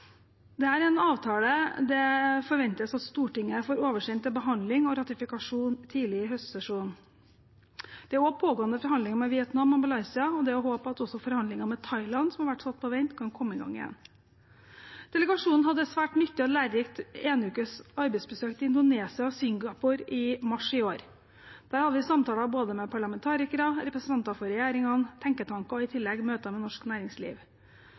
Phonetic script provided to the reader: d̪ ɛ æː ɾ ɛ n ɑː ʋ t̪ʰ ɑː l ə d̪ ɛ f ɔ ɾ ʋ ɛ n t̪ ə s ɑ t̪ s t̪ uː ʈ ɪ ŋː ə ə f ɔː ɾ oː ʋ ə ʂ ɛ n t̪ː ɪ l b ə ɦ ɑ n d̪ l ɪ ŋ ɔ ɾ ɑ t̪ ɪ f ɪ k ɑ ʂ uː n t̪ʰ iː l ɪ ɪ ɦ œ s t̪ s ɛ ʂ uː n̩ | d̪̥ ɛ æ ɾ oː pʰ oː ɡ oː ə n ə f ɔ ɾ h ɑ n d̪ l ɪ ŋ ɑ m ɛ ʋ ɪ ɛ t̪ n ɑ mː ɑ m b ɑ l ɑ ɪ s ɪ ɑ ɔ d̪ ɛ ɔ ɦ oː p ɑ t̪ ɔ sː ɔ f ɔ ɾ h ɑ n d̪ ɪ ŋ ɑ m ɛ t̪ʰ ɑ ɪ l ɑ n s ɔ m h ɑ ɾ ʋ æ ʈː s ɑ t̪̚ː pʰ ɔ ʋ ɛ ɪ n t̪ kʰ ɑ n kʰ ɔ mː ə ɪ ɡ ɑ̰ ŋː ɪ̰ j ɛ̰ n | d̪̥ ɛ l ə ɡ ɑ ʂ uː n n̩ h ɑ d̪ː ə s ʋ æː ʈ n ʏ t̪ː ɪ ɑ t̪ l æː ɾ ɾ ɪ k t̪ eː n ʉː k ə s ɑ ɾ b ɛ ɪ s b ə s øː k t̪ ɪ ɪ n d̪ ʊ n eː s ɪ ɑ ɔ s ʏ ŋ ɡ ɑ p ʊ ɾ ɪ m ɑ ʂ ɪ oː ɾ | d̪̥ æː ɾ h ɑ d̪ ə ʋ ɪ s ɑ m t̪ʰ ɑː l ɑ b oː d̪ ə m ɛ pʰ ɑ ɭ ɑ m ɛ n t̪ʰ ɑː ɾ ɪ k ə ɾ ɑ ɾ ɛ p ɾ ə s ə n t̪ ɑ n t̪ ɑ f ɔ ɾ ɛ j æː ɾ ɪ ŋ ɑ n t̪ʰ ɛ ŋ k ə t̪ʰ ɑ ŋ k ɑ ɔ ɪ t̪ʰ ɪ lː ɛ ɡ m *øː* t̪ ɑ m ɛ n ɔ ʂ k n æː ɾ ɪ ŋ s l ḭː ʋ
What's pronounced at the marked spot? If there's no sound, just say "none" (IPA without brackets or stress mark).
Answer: øː